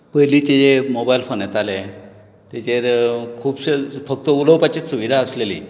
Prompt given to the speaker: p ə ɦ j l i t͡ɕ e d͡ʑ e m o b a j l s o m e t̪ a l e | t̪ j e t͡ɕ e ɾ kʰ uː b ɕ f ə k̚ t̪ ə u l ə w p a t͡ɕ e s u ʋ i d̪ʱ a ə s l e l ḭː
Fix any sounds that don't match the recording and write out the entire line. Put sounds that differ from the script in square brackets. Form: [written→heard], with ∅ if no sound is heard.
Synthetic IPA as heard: p ə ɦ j l i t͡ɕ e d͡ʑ e m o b a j l [s→f] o [m→n] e t̪ a l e | t̪ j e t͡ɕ e ɾ kʰ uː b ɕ f ə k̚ t̪ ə u l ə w p a t͡ɕ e s u ʋ i d̪ʱ a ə s l e l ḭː